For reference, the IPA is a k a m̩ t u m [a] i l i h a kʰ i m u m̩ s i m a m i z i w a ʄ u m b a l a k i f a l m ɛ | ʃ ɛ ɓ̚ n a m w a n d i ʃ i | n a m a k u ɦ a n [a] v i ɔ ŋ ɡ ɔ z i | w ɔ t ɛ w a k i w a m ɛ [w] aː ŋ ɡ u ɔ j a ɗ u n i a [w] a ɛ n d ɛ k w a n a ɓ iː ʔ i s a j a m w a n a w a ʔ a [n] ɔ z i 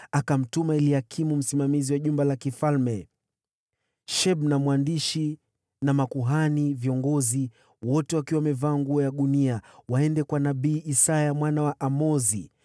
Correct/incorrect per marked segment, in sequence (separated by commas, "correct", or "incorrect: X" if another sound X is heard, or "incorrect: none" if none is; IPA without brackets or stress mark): correct, incorrect: i, incorrect: v, correct, incorrect: m